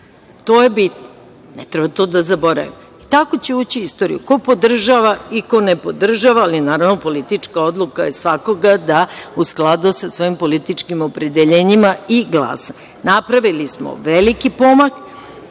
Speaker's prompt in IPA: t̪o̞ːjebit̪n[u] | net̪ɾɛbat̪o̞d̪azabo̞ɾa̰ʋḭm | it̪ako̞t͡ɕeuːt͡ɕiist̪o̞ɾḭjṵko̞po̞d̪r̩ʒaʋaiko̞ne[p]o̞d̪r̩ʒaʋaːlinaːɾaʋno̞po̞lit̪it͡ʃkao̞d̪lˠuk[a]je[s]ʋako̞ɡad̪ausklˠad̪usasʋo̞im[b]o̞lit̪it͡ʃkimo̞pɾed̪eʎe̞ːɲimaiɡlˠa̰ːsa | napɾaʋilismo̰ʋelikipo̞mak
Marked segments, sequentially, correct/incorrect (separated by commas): incorrect, correct, correct, correct, incorrect